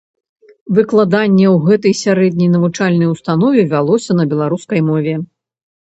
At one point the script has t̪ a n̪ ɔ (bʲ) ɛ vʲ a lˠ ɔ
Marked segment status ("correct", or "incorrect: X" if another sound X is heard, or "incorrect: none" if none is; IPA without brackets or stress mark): incorrect: vʲ